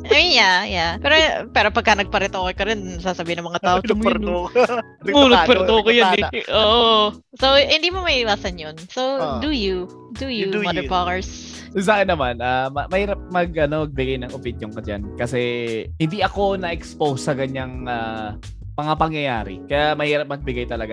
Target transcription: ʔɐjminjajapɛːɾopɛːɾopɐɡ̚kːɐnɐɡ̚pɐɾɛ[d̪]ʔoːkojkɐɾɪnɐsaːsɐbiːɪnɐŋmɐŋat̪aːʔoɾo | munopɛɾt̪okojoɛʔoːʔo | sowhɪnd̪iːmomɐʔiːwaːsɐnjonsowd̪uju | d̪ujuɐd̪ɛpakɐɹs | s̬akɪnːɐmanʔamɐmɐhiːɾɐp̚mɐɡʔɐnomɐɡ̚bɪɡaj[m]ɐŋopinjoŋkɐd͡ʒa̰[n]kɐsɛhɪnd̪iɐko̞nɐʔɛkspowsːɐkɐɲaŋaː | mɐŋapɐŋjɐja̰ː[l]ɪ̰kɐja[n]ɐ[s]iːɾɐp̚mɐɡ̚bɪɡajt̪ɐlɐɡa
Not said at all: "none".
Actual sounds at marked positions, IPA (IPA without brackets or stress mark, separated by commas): t̪, n, n, ɾ, m, h